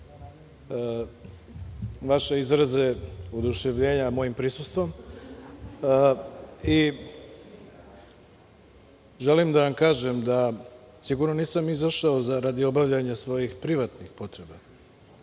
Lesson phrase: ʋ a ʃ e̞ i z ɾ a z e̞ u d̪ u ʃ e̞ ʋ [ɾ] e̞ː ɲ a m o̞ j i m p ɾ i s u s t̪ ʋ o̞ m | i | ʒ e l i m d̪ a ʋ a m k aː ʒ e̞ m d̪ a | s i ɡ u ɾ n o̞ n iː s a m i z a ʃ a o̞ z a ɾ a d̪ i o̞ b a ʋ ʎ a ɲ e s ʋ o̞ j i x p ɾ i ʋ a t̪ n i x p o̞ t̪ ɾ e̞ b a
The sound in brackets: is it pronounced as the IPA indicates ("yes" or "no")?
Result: no